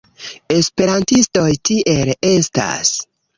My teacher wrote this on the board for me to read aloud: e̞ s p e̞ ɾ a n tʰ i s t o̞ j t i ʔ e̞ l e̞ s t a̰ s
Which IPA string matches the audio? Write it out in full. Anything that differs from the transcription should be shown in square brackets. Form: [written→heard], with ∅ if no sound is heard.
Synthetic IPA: e̞ s p e̞ ɾ a n [tʰ→t] i s t o̞ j t i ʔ e̞ l e̞ s t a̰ s